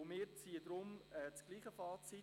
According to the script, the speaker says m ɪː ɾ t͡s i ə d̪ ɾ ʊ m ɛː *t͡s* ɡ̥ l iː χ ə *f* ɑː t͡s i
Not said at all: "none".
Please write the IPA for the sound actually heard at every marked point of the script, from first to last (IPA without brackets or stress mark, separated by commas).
t͡s, f